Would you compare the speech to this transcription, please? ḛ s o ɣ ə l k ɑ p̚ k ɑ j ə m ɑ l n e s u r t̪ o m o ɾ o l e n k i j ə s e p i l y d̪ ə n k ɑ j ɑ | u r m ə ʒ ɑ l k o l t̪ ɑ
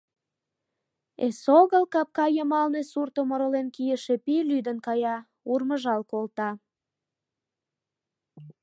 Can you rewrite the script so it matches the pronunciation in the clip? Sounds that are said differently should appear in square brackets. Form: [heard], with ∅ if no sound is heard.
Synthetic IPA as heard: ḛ s o ɣ ə l k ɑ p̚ k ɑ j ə m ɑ l n e s u r t̪ o m o ɾ o l e n k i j ə [ʃ] e p i l y d̪ ə n k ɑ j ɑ | u r m ə ʒ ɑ l k o l t̪ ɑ